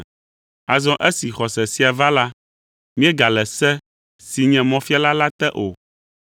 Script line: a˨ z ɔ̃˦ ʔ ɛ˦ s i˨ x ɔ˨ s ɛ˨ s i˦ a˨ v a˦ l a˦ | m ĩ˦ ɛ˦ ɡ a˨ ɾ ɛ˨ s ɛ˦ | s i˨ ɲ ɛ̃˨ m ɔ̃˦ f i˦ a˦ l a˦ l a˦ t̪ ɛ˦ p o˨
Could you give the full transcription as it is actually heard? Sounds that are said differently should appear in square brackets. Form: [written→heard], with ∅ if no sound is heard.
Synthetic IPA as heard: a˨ z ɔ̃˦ ʔ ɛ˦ s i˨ x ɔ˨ s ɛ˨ s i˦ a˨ v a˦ l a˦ | m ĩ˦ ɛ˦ ɡ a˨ [ɾ→l] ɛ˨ s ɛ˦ | s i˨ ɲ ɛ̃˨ m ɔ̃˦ f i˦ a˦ l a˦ l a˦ t̪ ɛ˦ [p→ʔ] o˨